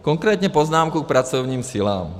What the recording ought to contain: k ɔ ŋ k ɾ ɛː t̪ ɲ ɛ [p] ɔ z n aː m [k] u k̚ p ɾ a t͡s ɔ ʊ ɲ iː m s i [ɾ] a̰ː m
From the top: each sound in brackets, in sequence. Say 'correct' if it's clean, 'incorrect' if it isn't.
correct, correct, incorrect

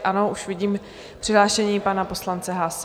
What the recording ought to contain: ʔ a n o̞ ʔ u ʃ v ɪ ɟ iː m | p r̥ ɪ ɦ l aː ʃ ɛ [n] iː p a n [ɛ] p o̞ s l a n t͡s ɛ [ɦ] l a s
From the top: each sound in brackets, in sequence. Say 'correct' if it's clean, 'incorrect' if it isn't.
incorrect, incorrect, correct

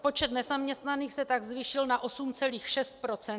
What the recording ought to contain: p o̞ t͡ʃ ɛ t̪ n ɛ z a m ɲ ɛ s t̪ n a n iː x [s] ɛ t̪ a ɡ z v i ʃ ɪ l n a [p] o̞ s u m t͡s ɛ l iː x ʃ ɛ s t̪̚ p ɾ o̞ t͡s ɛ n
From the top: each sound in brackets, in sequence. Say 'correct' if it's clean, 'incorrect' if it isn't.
correct, incorrect

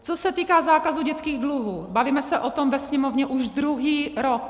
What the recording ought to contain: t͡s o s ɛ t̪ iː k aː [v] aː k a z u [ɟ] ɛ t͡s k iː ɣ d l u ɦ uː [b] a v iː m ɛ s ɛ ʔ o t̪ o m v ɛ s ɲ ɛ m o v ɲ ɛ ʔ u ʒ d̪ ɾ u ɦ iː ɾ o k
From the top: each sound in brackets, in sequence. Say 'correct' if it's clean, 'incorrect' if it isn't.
incorrect, correct, correct

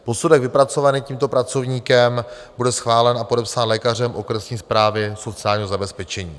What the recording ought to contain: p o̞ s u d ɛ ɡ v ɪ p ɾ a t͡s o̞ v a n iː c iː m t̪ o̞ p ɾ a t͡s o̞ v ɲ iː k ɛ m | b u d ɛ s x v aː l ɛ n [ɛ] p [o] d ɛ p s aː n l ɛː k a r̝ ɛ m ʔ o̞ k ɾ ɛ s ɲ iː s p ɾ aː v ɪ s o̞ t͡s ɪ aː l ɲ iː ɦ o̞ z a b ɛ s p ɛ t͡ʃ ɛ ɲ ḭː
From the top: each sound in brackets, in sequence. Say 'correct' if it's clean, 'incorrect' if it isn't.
incorrect, correct

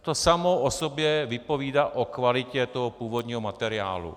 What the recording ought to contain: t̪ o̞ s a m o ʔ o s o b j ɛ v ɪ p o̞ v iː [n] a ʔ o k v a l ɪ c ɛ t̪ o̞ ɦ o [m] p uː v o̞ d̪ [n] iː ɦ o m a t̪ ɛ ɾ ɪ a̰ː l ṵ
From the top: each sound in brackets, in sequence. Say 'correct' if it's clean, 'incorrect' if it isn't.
incorrect, incorrect, incorrect

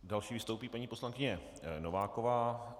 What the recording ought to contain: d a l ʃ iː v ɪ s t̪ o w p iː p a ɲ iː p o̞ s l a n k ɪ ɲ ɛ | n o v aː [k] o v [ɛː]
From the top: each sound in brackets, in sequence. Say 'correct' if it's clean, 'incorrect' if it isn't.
correct, incorrect

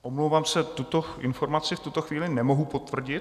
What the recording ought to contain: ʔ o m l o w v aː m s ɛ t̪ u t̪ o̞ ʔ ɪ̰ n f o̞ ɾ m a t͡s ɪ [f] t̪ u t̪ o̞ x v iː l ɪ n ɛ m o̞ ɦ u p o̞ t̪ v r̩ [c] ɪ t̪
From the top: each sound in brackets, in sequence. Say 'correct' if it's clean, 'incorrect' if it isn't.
correct, incorrect

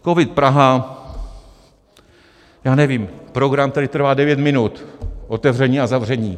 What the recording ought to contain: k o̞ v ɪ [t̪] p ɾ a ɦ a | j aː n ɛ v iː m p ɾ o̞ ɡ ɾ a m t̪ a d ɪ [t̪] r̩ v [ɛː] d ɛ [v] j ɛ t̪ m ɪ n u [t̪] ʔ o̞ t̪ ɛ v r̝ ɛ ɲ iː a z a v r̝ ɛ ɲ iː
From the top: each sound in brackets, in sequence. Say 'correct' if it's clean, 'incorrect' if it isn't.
correct, correct, incorrect, correct, correct

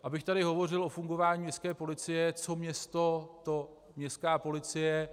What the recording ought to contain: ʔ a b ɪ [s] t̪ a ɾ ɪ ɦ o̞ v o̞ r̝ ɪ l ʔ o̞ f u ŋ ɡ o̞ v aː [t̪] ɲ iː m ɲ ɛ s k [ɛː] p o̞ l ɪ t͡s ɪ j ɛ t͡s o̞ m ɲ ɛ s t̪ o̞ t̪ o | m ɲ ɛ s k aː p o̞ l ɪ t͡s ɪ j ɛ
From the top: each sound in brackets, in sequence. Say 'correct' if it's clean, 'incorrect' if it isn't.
incorrect, incorrect, correct

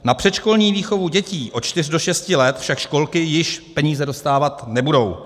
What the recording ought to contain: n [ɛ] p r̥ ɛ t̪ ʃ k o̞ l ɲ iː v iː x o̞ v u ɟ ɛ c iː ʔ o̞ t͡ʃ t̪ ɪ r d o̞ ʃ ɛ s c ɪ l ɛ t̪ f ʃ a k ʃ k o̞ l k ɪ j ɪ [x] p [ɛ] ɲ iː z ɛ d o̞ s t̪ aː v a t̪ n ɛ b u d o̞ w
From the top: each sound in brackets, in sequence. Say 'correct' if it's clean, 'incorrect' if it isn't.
incorrect, incorrect, correct

